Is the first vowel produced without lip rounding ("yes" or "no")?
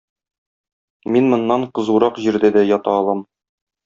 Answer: yes